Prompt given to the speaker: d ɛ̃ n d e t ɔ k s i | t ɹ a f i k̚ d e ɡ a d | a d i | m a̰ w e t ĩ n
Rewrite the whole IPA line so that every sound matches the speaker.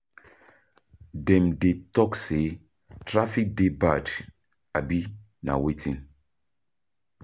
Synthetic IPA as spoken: d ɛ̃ m d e t ɔ k s e | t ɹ a f i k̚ d e b a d | a b i | n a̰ w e t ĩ n